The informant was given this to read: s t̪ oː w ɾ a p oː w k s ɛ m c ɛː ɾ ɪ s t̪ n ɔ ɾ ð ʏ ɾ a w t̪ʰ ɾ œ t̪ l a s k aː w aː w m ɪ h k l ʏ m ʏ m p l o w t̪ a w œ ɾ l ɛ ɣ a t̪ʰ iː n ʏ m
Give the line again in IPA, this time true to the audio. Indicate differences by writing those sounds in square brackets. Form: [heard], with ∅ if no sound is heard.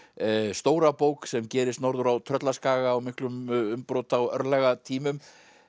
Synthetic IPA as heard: s t̪ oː w ɾ a p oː w k s ɛ m c ɛː ɾ ɪ s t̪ n ɔ ɾ ð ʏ ɾ a w t̪ʰ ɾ œ t̪ l a s k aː [ɣ] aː w m ɪ h k l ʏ m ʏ m p [ɾ] o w t̪ a w œ ɾ l ɛ ɣ a t̪ʰ iː [m] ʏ m